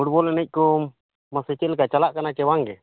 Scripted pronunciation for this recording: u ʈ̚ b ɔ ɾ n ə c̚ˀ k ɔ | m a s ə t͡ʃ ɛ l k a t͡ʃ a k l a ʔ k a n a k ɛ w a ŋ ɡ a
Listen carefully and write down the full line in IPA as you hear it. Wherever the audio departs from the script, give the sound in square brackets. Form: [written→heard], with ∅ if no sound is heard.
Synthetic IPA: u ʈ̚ b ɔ [ɾ→l] n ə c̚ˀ k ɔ | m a s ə t͡ʃ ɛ l k a t͡ʃ a [k→∅] l a ʔ k a n a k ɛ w a ŋ ɡ [a→ɛ]